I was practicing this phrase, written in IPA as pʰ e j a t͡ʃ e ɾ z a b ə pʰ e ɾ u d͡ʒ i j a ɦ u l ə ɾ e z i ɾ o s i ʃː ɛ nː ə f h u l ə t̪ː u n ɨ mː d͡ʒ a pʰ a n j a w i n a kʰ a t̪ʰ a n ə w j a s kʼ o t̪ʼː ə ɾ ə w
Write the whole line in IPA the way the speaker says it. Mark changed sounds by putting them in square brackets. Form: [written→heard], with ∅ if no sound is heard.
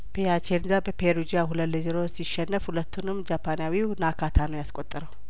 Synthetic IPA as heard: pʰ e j a t͡ʃ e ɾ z a b ə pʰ e ɾ u d͡ʒ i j a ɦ u l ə [ɾ→l] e z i ɾ o s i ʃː ɛ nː ə f h u l ə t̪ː u n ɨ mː d͡ʒ a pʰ a n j a w i n a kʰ a t̪ʰ a n ə w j a s kʼ o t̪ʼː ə ɾ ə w